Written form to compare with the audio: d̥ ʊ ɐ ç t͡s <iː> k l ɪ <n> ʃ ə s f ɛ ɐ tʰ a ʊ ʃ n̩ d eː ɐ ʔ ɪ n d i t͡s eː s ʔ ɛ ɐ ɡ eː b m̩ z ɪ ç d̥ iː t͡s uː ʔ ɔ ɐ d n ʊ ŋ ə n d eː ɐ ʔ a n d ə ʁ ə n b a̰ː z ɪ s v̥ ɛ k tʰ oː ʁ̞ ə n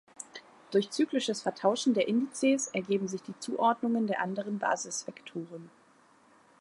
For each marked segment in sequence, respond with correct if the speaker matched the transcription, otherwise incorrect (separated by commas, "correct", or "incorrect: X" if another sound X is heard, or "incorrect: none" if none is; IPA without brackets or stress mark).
incorrect: yː, incorrect: none